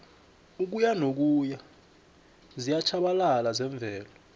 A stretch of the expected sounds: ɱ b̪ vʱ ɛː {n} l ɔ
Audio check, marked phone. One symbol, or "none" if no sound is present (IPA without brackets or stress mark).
none